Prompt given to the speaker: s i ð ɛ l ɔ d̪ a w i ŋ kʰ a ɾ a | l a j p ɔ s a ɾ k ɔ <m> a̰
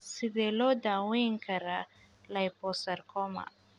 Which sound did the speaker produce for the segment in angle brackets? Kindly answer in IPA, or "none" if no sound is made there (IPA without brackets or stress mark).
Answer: m